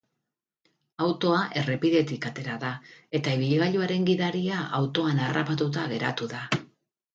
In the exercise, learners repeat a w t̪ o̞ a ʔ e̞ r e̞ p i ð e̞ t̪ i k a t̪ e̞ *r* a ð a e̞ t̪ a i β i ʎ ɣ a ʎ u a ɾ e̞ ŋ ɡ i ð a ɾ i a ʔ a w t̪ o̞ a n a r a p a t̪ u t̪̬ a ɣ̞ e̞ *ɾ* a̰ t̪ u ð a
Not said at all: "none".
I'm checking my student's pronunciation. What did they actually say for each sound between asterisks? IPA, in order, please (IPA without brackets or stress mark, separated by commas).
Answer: ɾ, ɾ